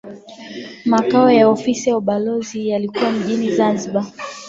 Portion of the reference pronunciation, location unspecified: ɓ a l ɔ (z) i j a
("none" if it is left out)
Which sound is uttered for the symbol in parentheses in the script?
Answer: z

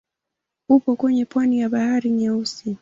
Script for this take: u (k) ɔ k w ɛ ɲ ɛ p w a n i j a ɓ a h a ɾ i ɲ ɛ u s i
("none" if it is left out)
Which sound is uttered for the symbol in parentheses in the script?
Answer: p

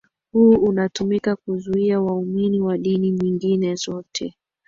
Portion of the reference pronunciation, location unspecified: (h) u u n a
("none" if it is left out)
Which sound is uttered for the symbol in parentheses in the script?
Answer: h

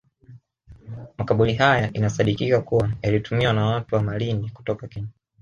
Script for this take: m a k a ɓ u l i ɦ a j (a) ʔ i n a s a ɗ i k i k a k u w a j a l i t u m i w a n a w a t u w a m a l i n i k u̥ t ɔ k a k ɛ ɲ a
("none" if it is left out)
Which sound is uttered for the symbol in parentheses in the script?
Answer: a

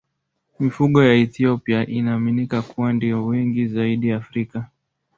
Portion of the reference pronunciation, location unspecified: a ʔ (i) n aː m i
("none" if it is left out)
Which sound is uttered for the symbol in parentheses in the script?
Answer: i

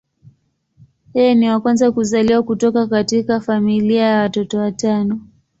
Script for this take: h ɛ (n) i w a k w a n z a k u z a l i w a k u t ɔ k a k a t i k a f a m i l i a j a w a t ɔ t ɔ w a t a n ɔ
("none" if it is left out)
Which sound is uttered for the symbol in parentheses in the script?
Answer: n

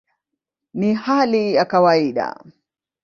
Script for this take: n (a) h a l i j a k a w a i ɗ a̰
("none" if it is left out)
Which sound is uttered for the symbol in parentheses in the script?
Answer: i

